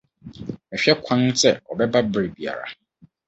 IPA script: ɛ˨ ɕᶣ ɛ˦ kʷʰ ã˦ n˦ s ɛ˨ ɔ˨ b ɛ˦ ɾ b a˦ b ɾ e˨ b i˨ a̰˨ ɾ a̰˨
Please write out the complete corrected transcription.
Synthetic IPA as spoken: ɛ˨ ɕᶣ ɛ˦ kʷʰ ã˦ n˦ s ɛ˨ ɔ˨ b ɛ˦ b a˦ b ɾ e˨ b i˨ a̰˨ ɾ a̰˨